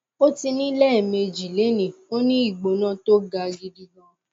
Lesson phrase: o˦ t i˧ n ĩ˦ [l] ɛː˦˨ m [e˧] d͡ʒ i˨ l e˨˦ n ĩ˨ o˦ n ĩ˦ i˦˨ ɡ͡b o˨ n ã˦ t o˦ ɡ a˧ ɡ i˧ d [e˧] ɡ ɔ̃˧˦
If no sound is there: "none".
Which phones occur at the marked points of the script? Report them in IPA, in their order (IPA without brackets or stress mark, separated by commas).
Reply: l, e˧, i˧